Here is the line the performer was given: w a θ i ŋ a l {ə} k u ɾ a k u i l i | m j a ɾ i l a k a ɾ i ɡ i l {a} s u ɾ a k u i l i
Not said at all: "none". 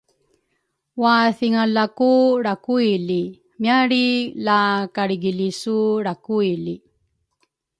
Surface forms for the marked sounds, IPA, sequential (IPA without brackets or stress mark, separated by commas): a, i